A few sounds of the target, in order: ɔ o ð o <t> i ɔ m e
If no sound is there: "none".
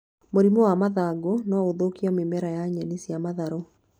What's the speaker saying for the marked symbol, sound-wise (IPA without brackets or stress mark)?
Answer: k